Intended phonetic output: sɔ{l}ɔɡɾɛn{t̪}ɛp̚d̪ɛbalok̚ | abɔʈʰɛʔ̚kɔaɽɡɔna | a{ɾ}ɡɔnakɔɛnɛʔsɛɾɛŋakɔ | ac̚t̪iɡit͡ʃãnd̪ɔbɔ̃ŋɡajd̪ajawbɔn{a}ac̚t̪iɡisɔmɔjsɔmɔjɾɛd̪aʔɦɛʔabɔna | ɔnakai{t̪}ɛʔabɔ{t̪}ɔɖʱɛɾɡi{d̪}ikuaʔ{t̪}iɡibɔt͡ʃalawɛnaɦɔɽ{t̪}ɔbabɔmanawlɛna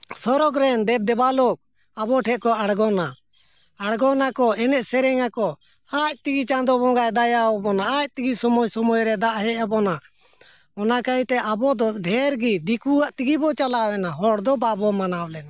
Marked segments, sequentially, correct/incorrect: incorrect: ɾ, incorrect: d̪, incorrect: ɽ, correct, correct, incorrect: d̪, correct, correct, incorrect: d̪

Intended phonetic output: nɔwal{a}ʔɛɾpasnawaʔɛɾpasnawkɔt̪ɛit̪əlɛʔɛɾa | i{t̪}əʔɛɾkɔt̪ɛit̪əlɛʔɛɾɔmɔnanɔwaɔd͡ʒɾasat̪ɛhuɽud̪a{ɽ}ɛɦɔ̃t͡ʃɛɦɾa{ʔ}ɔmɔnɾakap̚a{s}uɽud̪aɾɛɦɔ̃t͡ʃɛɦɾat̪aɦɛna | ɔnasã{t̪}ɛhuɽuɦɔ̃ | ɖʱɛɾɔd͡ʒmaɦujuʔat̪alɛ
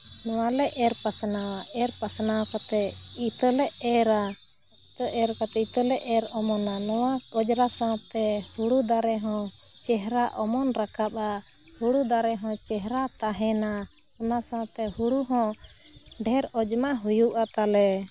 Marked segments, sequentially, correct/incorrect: incorrect: ɛ, correct, incorrect: ɾ, correct, incorrect: h, correct

